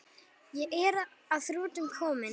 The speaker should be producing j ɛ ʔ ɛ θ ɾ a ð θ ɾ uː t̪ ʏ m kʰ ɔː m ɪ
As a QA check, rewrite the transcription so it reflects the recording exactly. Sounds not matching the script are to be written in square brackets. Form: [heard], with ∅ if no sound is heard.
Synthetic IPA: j ɛ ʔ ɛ [∅] ɾ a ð θ ɾ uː t̪ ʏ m kʰ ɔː m ɪ

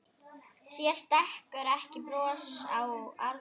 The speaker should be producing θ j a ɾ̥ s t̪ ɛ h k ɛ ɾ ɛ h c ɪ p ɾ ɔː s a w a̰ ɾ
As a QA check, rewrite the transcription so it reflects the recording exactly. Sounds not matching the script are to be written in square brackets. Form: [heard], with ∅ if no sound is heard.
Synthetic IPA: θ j [ɛ] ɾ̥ s t̪ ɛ h k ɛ ɾ ɛ h c ɪ p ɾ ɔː s a w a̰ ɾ

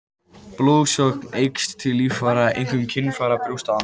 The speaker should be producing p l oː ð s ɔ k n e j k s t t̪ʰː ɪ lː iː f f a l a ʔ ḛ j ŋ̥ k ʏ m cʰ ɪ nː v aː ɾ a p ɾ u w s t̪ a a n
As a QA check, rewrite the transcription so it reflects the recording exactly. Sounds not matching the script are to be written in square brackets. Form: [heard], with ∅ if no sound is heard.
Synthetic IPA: p l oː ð s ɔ k n e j k s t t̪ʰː ɪ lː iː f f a [ɾ] a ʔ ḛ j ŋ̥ k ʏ m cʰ ɪ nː [f] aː ɾ a p ɾ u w s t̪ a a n

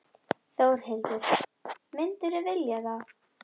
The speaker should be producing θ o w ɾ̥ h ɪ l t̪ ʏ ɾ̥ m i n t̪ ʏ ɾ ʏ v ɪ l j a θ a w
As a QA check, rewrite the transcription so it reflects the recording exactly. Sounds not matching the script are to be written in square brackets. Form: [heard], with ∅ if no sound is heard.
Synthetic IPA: θ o w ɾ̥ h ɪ l t̪ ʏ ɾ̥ m [ɪ] n t̪ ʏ ɾ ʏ v ɪ l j a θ a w

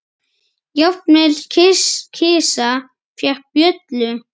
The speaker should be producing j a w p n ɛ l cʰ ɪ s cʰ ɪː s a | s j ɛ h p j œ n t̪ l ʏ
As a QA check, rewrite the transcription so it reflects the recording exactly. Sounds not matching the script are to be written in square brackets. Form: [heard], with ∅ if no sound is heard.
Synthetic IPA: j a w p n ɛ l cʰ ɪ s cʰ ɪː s a | [f] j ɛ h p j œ [∅] t̪ l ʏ

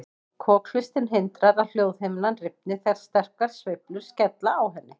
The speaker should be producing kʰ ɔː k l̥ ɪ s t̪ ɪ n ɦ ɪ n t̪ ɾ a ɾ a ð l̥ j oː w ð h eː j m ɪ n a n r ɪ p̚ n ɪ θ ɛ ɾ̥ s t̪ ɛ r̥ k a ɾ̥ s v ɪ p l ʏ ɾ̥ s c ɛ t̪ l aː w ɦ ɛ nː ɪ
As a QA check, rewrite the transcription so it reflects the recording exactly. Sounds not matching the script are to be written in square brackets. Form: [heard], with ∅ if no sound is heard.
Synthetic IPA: kʰ ɔː k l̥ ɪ s t̪ ɪ n ɦ ɪ n t̪ ɾ a ɾ a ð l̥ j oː w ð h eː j m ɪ n a n r ɪ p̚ n ɪ θ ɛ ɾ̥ s t̪ ɛ r̥ k a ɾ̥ s v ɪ p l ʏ ɾ̥ s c ɛ t̪ l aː w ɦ ɛ nː ɪ

